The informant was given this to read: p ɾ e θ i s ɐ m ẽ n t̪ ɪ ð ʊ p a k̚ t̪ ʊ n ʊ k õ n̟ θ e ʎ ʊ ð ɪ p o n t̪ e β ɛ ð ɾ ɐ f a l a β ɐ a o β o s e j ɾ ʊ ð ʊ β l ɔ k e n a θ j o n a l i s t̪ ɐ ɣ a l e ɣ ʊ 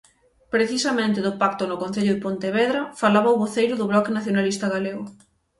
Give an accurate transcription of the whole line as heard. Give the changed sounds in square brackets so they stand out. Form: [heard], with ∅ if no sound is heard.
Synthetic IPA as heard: p ɾ e θ i s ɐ m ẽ n t̪ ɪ ð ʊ p a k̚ t̪ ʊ n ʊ k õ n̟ θ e ʎ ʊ ð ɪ p o n t̪ e β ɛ ð ɾ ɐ f a l a β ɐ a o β o [θ] e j ɾ ʊ ð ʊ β l ɔ k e n a θ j o n a l i s t̪ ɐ ɣ a l e ɣ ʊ